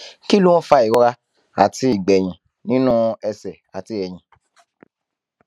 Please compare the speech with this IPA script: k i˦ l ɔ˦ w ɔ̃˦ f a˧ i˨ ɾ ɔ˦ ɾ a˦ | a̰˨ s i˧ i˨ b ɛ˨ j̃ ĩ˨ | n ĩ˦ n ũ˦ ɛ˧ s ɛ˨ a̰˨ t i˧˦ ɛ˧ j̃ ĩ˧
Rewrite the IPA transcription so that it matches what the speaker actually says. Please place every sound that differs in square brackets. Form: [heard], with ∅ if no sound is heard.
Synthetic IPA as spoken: k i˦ l [u˦] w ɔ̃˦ f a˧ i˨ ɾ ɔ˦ ɾ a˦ | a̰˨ [t] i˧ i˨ [ɡ͡b] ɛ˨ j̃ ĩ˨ | n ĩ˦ n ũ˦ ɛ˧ s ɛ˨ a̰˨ t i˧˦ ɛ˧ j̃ ĩ˧